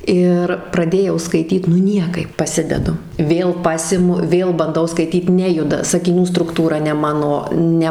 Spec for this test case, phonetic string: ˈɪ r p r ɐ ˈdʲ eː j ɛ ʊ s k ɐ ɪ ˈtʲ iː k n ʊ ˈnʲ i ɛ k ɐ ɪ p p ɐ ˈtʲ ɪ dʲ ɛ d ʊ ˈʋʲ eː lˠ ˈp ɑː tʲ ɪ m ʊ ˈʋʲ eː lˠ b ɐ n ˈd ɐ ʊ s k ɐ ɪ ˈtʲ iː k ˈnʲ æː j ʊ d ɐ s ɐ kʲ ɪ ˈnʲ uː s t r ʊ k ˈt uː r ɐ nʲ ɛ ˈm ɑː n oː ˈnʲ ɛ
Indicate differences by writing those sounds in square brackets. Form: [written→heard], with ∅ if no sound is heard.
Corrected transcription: ˈɪ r p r ɐ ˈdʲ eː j ɛ ʊ s k ɐ ɪ ˈtʲ iː [k→t] n ʊ ˈnʲ i ɛ k ɐ ɪ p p ɐ [ˈtʲ→ˈsʲ] ɪ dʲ ɛ d ʊ ˈʋʲ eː lˠ ˈp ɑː [tʲ→sʲ] ɪ m ʊ ˈʋʲ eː lˠ b ɐ n ˈd ɐ ʊ s k ɐ ɪ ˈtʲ iː [k→t] ˈnʲ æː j ʊ d ɐ s ɐ kʲ ɪ ˈnʲ uː s t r ʊ k ˈt uː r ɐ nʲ ɛ ˈm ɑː n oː ˈnʲ ɛ